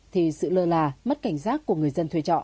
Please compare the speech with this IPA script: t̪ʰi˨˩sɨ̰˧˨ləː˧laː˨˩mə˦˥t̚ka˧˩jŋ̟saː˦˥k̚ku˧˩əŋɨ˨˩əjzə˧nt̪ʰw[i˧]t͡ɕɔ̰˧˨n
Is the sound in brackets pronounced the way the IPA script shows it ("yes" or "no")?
yes